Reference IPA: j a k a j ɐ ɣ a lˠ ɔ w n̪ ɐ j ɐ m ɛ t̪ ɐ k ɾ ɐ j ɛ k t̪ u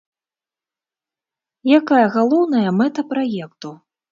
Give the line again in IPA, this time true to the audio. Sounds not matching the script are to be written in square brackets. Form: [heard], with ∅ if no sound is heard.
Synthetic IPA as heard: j a k a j ɐ ɣ a lˠ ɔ w n̪ ɐ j ɐ m ɛ t̪ ɐ [p] ɾ [a] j ɛ k t̪ u

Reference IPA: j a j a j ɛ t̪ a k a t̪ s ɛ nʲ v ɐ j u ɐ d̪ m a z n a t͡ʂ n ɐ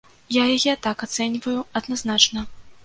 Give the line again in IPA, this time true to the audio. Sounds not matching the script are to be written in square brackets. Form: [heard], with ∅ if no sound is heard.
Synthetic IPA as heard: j a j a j ɛ t̪ a k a t̪ s ɛ nʲ v ɐ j u ɐ d̪ [n] a z n a t͡ʂ n ɐ

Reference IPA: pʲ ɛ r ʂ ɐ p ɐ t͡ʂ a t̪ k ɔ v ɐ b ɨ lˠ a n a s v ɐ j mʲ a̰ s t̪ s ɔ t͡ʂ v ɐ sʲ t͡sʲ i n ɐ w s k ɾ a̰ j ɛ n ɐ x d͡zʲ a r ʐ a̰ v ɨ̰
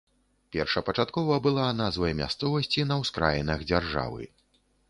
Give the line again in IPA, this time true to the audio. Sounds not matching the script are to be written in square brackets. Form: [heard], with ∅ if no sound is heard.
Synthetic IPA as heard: pʲ ɛ r ʂ ɐ p ɐ t͡ʂ a t̪ k ɔ v ɐ b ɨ lˠ a n a [z] v ɐ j mʲ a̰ s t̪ s ɔ [∅] v ɐ sʲ t͡sʲ i n ɐ w s k ɾ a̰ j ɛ n ɐ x d͡zʲ a r ʐ a̰ v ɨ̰

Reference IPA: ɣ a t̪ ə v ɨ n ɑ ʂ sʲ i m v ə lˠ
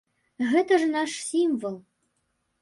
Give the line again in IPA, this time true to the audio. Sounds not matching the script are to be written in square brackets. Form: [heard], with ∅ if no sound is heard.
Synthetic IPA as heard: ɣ [ɛ] t̪ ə [ʐ] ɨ n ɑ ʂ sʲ i m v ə lˠ

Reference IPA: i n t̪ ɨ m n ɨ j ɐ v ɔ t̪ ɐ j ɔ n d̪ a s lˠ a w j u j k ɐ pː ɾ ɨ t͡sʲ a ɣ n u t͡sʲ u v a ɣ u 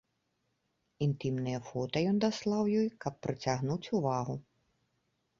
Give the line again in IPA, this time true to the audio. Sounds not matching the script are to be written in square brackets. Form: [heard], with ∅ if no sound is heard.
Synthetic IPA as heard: i n t̪ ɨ m n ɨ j ɐ [f] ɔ t̪ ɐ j ɔ n d̪ a s lˠ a w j [ɔ] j k ɐ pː ɾ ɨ t͡sʲ a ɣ n u t͡sʲ u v a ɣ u

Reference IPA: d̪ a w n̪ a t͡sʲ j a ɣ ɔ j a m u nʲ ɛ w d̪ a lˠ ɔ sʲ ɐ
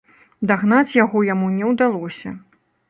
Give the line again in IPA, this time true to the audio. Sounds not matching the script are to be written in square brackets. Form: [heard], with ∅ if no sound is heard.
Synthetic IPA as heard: d̪ a [ɣ] n̪ a t͡sʲ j a ɣ ɔ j a m u nʲ ɛ w d̪ a lˠ ɔ sʲ ɐ

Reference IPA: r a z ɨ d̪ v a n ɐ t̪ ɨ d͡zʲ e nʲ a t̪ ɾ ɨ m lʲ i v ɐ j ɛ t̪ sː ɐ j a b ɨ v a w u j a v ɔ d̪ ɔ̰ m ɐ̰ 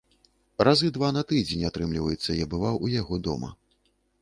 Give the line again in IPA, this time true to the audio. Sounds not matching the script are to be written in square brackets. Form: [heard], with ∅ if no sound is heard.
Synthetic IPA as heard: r a z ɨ d̪ v a n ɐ t̪ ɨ d͡zʲ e nʲ a t̪ ɾ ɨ m lʲ i v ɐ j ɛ t̪ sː ɐ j a b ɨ v a w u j a [ɣ] ɔ d̪ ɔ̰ m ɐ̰

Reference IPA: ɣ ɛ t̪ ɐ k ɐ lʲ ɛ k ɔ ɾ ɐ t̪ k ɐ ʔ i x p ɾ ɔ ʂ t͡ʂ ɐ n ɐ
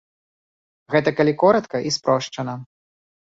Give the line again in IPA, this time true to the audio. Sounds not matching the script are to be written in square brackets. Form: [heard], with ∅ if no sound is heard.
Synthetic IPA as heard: ɣ ɛ t̪ ɐ k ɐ lʲ [i] k ɔ ɾ ɐ t̪ k ɐ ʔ i [s] p ɾ ɔ ʂ t͡ʂ ɐ n ɐ

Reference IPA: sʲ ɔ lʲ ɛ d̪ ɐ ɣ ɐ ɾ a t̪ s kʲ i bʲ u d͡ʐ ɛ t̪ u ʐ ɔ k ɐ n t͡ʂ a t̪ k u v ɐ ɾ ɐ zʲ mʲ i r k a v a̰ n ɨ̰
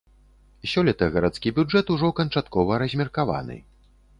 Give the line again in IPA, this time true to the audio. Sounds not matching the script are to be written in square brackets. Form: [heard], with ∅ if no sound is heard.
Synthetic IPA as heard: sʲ ɔ lʲ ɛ [t̪] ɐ ɣ ɐ ɾ a t̪ s kʲ i bʲ u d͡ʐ ɛ t̪ u ʐ ɔ k ɐ n t͡ʂ a t̪ k [ɔ] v ɐ ɾ ɐ zʲ mʲ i r k a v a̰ n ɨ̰

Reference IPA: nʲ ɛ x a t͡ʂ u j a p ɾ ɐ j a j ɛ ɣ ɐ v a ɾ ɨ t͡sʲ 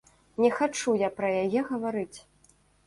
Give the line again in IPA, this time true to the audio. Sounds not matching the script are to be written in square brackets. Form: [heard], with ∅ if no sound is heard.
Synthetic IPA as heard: nʲ ɛ x a t͡ʂ u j a p ɾ ɐ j a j ɛ ɣ ɐ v a ɾ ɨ t͡sʲ

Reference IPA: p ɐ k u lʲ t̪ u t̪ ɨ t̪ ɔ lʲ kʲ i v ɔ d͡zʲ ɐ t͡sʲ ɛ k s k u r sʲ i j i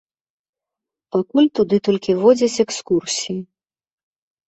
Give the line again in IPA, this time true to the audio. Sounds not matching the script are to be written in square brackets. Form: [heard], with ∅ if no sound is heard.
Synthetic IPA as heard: p [a] k u lʲ t̪ u [d̪] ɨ t̪ ɔ lʲ kʲ i v ɔ d͡zʲ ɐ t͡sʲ ɛ k s k u r sʲ i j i

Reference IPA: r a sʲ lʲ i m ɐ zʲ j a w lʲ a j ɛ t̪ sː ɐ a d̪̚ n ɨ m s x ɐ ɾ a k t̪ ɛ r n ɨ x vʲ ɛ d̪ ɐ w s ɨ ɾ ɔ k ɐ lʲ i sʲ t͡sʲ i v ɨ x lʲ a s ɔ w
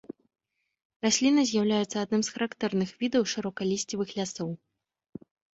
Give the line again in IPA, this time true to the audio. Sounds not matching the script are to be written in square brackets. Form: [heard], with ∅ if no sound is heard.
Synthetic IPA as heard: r a sʲ lʲ i [n] ɐ zʲ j a w lʲ a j ɛ t̪ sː ɐ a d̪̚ n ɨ m s x ɐ ɾ a k t̪ ɛ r n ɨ x vʲ [i] d̪ ɐ w [ʂ] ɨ ɾ ɔ k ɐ lʲ i sʲ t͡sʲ i v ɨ x lʲ a s ɔ w

